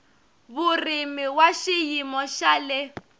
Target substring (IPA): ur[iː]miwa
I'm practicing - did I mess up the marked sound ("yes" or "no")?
yes